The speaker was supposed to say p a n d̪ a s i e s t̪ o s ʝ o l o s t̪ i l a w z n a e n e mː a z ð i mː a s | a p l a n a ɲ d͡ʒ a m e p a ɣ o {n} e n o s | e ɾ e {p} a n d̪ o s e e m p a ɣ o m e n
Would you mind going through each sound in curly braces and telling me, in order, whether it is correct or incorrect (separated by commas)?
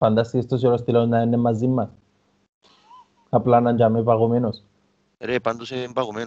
incorrect, correct